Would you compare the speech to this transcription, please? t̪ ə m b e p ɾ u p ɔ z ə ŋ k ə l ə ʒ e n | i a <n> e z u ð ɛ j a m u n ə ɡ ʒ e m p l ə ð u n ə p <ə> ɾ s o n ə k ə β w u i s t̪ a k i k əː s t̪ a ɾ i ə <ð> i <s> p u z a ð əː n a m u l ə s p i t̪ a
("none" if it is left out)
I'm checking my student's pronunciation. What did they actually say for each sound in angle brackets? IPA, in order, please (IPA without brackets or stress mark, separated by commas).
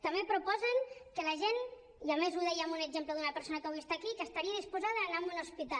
m, ə, ð, s